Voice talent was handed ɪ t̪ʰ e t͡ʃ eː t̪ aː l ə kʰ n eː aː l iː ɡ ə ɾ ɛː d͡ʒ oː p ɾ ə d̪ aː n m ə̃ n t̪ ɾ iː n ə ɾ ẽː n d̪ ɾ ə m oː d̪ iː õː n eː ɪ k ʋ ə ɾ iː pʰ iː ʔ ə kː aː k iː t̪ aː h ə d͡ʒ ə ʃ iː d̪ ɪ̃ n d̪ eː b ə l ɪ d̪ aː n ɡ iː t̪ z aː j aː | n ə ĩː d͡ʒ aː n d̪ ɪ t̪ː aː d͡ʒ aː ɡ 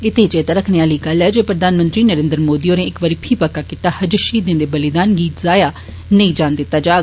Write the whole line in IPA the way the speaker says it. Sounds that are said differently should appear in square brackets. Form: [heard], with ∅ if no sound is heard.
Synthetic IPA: ɪ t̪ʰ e t͡ʃ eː t̪ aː [ɾ] ə kʰ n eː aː l iː ɡ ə [l] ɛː d͡ʒ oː p ɾ ə d̪ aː n m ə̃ n t̪ ɾ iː n ə ɾ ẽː n d̪ ɾ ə m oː d̪ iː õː n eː ɪ k ʋ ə ɾ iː pʰ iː [p] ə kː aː k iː t̪ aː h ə d͡ʒ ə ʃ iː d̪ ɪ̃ n d̪ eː b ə l ɪ d̪ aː n ɡ iː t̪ z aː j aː | n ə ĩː d͡ʒ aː n d̪ ɪ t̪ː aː d͡ʒ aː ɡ